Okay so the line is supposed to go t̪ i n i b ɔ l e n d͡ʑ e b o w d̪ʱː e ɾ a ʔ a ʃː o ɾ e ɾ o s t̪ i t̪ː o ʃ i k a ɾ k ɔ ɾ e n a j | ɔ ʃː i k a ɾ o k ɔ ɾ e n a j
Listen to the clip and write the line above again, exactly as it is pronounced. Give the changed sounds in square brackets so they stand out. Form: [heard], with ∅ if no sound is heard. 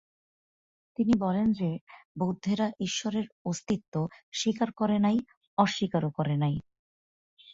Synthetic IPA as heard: t̪ i n i b ɔ l e n d͡ʑ e b o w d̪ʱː e ɾ a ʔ [i] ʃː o ɾ e ɾ o s t̪ i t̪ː o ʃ i k a ɾ k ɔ ɾ e n a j | ɔ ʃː i k a ɾ o k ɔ ɾ e n a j

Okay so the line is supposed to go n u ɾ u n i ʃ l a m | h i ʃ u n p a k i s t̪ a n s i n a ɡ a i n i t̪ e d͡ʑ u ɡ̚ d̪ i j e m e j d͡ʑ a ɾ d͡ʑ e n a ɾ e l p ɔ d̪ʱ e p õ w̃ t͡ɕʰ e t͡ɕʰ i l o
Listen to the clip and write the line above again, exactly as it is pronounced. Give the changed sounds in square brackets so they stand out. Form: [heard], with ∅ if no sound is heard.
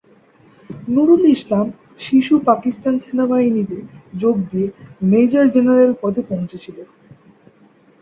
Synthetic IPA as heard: n u ɾ u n i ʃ l a m | [ʃ] i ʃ u [∅] p a k i s t̪ a n s [e] n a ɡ a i n i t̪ e d͡ʑ [o] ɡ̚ d̪ i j e m e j d͡ʑ a ɾ d͡ʑ e n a ɾ e l p ɔ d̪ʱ e p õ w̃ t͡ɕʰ e t͡ɕʰ i l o

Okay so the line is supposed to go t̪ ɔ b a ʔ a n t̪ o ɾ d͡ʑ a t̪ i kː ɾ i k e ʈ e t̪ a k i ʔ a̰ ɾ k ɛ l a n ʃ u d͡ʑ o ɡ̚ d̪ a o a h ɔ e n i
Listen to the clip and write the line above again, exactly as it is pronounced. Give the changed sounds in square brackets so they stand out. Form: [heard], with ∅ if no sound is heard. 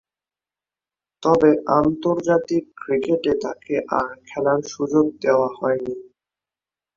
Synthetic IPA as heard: t̪ ɔ b [e] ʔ a n t̪ o ɾ d͡ʑ a t̪ i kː ɾ i k e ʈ e t̪ a k [e] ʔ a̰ ɾ [kʰ] ɛ l a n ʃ u d͡ʑ o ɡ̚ d̪ [e] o a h ɔ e n i

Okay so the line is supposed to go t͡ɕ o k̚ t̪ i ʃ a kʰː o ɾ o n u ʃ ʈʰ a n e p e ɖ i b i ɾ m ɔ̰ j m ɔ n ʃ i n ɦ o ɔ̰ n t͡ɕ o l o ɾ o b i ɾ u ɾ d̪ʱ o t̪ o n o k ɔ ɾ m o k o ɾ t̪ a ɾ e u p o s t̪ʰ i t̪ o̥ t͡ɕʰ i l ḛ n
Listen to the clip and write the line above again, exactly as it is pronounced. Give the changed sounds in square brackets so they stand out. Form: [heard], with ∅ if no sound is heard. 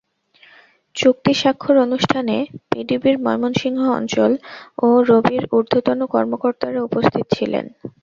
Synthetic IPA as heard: t͡ɕ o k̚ t̪ i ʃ a kʰː o ɾ o n u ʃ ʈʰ a n e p [i] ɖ i b i ɾ m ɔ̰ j m [o] n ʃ i [ŋ] ɦ o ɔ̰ n t͡ɕ o l o ɾ o b i ɾ u ɾ d̪ʱ o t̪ o n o k ɔ ɾ m o k o ɾ t̪ a ɾ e u p o s t̪ʰ i t̪ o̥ t͡ɕʰ i l ḛ n

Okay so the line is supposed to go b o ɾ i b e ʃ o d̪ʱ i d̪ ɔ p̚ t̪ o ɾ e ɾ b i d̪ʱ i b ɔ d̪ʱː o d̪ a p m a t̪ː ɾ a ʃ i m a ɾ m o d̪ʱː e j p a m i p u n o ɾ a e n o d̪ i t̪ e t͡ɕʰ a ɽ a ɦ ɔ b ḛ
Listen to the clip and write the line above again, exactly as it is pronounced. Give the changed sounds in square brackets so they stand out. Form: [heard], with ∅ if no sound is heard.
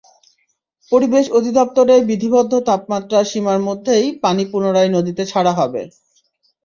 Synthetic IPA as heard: [p] o ɾ i b e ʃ o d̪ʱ i d̪ ɔ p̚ t̪ o ɾ e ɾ b i d̪ʱ i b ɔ d̪ʱː o [t̪] a p m a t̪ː ɾ a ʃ i m a ɾ m o d̪ʱː e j p a [n] i p u n o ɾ a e n o d̪ i t̪ e t͡ɕʰ a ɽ a ɦ ɔ b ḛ

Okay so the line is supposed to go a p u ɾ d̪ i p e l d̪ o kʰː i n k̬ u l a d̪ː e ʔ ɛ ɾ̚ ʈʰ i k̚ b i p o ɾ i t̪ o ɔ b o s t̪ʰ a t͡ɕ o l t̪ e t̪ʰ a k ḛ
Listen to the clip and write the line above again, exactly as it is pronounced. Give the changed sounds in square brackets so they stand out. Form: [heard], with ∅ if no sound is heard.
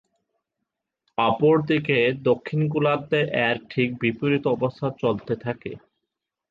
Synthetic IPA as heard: a p [o] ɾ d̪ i [k] e [∅] d̪ o kʰː i n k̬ u l a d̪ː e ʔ ɛ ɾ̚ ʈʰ i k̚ b i p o ɾ i t̪ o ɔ b o s t̪ʰ a t͡ɕ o l t̪ e t̪ʰ a k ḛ

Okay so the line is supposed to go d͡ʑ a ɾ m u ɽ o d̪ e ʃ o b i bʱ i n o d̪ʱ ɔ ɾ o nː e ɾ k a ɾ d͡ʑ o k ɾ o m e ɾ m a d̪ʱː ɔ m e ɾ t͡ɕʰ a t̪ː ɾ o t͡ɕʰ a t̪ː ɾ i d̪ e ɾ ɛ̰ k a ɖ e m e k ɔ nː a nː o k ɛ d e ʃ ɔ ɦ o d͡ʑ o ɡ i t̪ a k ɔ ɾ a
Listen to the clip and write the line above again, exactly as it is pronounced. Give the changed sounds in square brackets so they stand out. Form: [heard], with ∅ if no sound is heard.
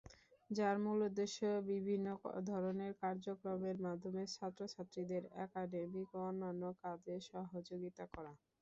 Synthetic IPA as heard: d͡ʑ a ɾ m u [l] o d̪ e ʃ o b i bʱ i [nː] o d̪ʱ ɔ ɾ o [n] e ɾ k a ɾ d͡ʑ o k ɾ o m e ɾ m a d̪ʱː [o] m e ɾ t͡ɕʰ a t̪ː ɾ o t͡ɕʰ a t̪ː ɾ i d̪ e ɾ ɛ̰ k a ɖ e m [i] k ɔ nː a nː o k [a] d e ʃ ɔ ɦ o d͡ʑ o ɡ i t̪ a k ɔ ɾ a

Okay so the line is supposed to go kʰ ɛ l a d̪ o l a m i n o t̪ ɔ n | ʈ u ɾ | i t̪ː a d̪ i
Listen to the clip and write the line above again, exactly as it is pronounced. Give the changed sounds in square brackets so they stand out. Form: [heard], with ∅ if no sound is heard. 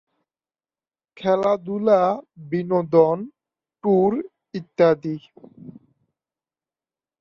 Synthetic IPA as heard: kʰ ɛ l a d̪ [u] l a [b] i n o [d̪] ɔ n | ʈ u ɾ | i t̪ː a d̪ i

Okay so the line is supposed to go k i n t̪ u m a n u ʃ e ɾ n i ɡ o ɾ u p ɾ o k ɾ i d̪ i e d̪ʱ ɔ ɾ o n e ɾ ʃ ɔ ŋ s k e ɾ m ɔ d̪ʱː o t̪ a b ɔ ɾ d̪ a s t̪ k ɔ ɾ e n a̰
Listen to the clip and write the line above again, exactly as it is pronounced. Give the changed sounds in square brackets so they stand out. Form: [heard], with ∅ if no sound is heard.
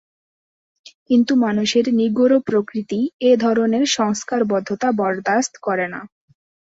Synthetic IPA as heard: k i n t̪ u m a n u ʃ e ɾ n i ɡ o ɾ [o] p ɾ o k ɾ i [t̪] i e d̪ʱ ɔ ɾ o n e ɾ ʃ ɔ ŋ s k [a] ɾ [b] ɔ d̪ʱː o t̪ a b ɔ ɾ d̪ a s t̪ k ɔ ɾ e n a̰

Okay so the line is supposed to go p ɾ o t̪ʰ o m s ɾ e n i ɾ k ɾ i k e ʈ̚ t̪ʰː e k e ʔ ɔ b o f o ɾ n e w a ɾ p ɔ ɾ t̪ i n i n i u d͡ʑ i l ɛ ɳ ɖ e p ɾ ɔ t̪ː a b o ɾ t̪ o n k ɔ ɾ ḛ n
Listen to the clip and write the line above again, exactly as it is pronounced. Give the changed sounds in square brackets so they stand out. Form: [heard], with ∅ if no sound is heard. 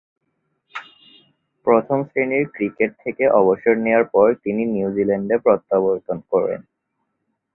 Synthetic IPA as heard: p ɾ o t̪ʰ o m s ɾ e n i ɾ k ɾ i k e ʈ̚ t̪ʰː e k e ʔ ɔ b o [ʃ] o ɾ n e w a ɾ p ɔ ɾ t̪ i n i n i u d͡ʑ i l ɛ ɳ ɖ e p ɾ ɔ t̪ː a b o ɾ t̪ o n k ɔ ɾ ḛ n

